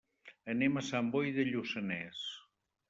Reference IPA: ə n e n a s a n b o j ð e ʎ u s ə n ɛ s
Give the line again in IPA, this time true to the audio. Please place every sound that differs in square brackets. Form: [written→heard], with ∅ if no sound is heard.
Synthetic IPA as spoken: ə n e [n→m] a s a [n→m] b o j ð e ʎ u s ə n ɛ s